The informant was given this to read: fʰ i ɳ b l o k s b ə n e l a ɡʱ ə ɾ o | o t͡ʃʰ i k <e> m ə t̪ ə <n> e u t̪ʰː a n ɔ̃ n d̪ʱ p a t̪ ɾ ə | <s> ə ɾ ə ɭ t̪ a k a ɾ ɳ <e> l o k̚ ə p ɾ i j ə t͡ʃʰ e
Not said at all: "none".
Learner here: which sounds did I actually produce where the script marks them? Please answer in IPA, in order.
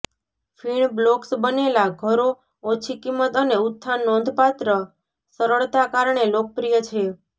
i, n, s, e

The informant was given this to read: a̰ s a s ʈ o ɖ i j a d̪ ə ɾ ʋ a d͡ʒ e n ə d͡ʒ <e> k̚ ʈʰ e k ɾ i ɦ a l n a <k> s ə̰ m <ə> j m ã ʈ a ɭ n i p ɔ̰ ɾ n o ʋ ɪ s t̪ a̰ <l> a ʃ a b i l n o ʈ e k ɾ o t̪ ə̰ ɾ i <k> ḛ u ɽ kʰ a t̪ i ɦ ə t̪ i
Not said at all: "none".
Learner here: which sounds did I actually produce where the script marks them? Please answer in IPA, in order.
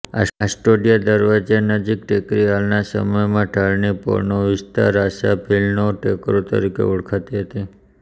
i, none, ə, ɾ, k

